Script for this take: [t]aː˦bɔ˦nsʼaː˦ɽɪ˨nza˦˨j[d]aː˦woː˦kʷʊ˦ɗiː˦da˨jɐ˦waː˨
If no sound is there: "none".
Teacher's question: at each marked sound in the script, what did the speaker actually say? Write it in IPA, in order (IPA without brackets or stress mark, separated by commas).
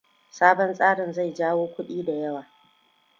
s, d͡ʒ